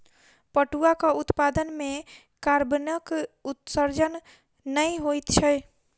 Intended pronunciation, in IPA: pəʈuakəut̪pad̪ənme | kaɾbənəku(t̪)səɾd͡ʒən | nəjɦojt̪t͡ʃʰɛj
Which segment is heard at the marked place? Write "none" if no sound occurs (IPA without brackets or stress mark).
t̪